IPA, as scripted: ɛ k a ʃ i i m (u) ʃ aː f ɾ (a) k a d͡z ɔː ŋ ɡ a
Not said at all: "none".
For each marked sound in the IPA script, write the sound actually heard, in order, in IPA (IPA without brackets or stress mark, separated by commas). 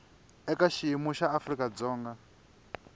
u, i